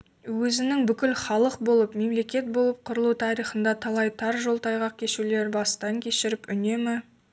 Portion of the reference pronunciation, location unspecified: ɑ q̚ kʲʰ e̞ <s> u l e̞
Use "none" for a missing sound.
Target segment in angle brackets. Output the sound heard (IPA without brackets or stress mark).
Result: ʃ